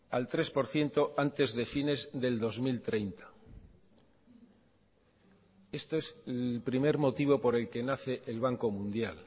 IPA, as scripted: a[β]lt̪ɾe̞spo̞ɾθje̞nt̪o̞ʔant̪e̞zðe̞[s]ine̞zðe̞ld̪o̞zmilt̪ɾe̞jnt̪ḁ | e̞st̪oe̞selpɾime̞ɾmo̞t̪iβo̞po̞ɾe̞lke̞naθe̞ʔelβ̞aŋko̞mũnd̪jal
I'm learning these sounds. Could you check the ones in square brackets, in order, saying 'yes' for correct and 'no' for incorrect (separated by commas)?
no, no